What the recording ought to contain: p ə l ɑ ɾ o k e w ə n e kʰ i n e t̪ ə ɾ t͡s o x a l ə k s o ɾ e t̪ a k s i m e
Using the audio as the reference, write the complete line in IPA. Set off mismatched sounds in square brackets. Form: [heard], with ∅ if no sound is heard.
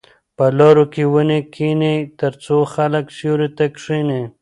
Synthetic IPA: p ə l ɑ ɾ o k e w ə n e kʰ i n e t̪ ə ɾ t͡s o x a l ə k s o ɾ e t̪ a k [ʂ] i [n] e